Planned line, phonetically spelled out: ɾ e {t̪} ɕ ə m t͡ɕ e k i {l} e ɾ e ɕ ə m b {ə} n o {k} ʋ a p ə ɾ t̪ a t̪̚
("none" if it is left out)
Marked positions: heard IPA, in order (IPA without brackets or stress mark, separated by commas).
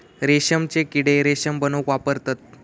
none, ɽ, ə, k